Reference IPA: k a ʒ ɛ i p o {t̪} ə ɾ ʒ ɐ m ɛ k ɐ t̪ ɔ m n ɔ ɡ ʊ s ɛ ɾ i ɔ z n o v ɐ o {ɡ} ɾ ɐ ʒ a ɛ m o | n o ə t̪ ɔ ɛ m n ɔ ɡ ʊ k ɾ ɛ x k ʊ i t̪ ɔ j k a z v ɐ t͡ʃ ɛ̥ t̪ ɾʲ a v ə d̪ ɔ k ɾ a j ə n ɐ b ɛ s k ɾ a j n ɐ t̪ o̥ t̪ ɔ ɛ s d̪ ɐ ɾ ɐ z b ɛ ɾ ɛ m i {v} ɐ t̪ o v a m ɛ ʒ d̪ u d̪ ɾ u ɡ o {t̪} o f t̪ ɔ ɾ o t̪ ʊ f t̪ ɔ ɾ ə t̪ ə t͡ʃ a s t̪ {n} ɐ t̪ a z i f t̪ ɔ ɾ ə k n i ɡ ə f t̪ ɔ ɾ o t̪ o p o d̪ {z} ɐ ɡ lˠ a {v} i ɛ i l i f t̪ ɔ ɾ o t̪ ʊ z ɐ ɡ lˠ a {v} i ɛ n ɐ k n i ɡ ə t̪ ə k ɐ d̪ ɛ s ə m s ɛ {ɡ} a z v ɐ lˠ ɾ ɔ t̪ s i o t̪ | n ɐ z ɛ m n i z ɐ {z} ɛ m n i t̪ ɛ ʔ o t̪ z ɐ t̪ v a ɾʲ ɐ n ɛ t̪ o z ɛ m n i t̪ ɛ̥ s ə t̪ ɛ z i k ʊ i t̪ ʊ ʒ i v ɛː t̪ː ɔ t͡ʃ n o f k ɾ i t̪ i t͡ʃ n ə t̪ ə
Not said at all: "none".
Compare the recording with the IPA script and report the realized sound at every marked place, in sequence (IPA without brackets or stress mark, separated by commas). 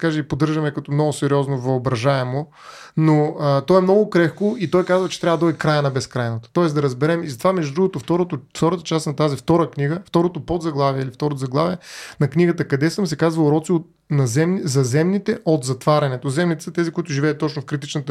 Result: d̪, b, z, t̪, n, z, v, v, k, z